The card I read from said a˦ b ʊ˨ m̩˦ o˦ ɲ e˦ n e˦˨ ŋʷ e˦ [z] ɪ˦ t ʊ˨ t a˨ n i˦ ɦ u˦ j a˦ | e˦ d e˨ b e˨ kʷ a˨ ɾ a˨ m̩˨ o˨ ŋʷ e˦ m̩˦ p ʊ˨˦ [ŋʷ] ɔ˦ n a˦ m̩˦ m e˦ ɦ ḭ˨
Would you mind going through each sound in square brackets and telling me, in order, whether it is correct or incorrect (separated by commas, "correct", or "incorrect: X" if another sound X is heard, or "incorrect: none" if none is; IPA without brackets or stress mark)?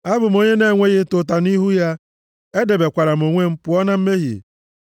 incorrect: ɣ, incorrect: none